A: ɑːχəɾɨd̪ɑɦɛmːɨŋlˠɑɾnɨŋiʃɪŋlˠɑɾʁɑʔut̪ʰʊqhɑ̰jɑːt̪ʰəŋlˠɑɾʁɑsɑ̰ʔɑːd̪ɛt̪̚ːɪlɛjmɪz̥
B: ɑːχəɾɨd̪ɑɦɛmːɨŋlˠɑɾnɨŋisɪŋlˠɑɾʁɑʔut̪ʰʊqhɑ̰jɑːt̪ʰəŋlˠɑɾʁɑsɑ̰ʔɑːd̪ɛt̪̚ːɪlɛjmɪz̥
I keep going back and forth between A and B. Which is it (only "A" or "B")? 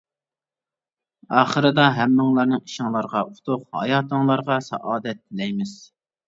A